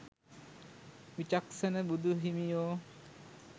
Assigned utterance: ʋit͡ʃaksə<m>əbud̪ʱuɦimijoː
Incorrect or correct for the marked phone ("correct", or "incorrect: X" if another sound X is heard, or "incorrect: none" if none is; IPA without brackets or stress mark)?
incorrect: n